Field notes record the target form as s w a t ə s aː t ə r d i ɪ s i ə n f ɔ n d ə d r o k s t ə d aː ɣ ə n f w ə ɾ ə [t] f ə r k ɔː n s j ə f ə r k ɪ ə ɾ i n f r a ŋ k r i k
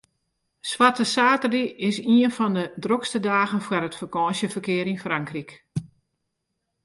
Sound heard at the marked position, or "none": t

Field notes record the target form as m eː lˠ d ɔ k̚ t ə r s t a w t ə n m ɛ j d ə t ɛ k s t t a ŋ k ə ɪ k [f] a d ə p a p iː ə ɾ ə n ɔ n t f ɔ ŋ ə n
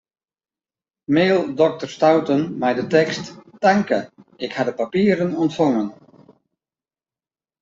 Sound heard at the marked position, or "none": h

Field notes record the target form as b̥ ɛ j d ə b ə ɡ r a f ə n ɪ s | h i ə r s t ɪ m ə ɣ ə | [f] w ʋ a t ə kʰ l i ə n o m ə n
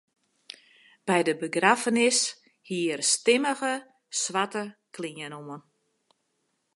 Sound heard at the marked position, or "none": s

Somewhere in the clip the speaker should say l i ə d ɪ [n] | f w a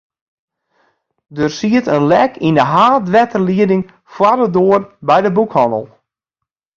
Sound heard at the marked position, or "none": ŋ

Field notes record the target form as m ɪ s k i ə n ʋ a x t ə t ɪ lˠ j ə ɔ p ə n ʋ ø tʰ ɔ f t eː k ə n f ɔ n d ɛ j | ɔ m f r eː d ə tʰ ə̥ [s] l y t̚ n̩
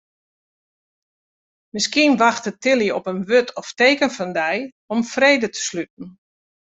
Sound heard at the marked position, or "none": s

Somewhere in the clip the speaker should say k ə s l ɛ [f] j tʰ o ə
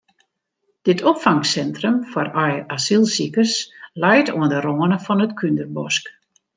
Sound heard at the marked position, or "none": none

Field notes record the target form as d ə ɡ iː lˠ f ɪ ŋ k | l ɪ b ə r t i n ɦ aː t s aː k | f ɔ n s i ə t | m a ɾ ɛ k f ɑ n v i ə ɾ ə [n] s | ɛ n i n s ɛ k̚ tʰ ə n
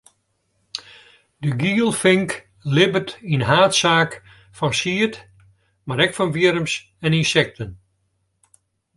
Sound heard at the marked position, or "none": m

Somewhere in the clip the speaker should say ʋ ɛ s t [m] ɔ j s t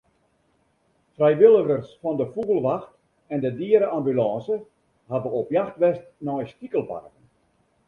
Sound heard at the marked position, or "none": n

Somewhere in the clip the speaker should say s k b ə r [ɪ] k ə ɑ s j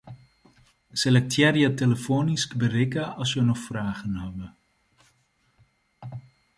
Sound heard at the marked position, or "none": ɪ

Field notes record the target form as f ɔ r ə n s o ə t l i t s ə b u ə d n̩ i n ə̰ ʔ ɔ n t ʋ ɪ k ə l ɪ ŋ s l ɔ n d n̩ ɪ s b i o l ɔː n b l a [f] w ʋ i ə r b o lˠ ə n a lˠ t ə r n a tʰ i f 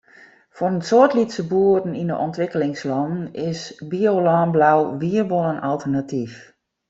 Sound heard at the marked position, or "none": none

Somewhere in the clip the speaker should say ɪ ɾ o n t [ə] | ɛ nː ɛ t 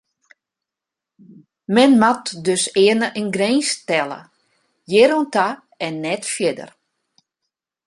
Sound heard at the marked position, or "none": a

